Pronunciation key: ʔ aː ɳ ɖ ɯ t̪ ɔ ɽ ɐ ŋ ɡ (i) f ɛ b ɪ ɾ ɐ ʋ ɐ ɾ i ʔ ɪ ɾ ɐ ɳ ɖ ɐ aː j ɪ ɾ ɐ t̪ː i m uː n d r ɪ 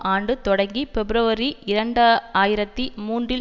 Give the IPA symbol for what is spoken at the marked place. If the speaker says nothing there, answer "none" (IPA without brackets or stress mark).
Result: i